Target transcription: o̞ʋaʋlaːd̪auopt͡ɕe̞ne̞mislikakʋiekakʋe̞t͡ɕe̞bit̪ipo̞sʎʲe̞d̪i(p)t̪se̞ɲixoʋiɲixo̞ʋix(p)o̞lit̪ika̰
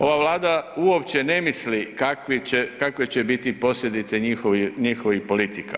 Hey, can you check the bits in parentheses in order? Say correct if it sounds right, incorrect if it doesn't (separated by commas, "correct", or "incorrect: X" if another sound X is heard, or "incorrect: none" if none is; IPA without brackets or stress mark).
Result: incorrect: none, correct